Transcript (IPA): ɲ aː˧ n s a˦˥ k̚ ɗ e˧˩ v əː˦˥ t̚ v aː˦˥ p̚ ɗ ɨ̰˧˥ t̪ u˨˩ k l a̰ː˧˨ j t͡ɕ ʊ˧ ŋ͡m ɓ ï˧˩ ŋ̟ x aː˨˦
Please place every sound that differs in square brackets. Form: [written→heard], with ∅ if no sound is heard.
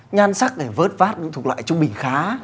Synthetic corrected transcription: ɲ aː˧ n s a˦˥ k̚ ɗ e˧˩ v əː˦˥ t̚ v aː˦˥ [p̚→t̚] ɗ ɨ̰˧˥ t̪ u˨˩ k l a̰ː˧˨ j t͡ɕ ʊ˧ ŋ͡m ɓ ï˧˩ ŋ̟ x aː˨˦

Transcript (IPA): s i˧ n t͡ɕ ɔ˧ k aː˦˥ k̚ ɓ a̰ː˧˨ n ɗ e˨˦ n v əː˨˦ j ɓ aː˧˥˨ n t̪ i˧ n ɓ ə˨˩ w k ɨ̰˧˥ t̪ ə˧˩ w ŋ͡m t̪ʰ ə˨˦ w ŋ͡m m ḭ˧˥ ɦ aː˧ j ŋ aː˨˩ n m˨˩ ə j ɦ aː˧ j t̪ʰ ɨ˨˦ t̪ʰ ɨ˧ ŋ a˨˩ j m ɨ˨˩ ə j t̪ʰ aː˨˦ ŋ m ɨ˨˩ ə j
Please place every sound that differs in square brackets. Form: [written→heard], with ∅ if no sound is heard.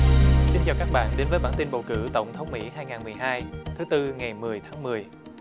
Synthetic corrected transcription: s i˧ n t͡ɕ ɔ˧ k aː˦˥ k̚ ɓ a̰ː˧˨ n ɗ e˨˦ n v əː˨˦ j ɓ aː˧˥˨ n t̪ i˧ n ɓ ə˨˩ w k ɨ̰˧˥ t̪ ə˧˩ w ŋ͡m t̪ʰ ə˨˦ w ŋ͡m m ḭ˧˥ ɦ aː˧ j ŋ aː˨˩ n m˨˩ ə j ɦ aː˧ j t̪ʰ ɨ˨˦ [t̪ʰ→t̪] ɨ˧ ŋ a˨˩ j m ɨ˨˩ ə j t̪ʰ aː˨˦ ŋ m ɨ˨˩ ə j

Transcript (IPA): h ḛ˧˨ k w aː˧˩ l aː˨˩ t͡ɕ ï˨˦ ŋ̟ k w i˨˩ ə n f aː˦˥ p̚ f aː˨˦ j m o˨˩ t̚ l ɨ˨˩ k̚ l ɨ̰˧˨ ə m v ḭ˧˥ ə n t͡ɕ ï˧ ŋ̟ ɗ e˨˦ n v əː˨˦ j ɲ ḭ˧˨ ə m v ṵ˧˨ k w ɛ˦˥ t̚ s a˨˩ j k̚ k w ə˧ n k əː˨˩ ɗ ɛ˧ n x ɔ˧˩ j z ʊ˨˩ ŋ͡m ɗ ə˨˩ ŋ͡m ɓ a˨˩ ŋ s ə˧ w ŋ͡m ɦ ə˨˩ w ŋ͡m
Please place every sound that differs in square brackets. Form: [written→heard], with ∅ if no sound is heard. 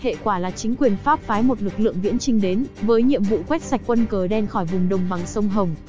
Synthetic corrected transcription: h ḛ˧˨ k w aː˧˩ l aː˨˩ t͡ɕ ï˨˦ ŋ̟ k w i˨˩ ə n f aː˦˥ p̚ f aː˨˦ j m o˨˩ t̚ l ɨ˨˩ k̚ l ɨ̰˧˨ ə [m→ŋ] v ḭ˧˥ ə n t͡ɕ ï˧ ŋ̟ ɗ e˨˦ n v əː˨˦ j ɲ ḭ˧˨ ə m v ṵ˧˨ k w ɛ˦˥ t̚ s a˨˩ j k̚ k w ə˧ n k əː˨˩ ɗ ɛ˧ n x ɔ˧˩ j [z→v] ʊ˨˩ ŋ͡m ɗ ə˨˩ ŋ͡m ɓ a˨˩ ŋ s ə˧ w ŋ͡m ɦ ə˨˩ w ŋ͡m

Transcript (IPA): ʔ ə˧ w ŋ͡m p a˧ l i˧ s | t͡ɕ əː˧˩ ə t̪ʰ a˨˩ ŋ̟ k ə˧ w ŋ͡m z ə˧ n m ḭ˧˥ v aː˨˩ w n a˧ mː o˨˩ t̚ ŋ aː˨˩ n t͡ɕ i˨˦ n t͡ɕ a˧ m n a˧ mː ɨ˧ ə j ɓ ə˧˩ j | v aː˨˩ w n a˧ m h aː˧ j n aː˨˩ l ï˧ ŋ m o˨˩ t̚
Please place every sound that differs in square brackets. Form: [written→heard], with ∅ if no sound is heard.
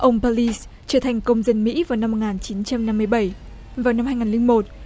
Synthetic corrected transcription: ʔ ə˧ w ŋ͡m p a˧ l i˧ s | t͡ɕ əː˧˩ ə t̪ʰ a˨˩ ŋ̟ k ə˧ w ŋ͡m z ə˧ n m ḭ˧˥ v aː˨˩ w n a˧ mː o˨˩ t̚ ŋ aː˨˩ n t͡ɕ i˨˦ n t͡ɕ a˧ m n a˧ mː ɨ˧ ə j ɓ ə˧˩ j | v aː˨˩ w n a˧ m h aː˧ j [n→ŋ] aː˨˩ l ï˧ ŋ m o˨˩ t̚

